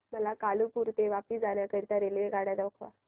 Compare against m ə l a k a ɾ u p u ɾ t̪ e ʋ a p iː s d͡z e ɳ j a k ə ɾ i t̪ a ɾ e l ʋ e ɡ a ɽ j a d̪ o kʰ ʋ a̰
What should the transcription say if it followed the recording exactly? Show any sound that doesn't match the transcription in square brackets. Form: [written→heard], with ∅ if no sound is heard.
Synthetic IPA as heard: m ə l a k a [ɾ→l] u p u ɾ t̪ e ʋ a p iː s d͡z [e→a] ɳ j a k ə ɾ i t̪ a ɾ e l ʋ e ɡ a ɽ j a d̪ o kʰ ʋ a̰